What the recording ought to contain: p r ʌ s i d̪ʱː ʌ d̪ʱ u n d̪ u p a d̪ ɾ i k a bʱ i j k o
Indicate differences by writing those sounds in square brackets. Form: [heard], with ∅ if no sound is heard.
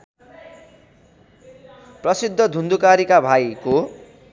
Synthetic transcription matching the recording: p r ʌ s i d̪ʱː ʌ d̪ʱ u n d̪ u [k] a [∅] ɾ i k a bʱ [a] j k o